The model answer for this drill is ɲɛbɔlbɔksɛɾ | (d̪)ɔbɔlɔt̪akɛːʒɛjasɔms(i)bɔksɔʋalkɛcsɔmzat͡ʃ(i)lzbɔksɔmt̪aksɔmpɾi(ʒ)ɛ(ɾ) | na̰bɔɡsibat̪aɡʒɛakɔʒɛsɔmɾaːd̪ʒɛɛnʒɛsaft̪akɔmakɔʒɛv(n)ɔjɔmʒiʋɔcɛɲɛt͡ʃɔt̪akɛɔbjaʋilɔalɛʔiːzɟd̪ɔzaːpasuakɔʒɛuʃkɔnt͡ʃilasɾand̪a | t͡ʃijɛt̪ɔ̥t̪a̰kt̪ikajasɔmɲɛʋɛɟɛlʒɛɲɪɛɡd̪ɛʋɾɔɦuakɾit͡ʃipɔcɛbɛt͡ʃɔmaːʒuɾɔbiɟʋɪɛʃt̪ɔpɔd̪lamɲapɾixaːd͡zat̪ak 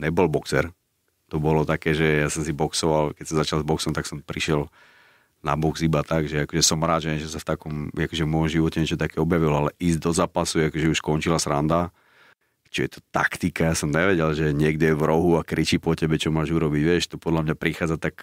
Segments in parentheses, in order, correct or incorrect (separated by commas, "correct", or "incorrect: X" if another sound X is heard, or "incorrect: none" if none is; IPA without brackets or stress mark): incorrect: t̪, correct, incorrect: a, incorrect: ʃ, incorrect: l, incorrect: m